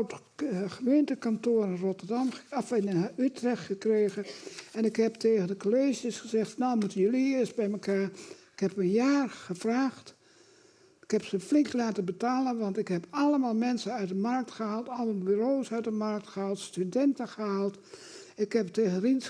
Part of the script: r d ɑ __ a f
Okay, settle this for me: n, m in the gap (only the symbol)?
m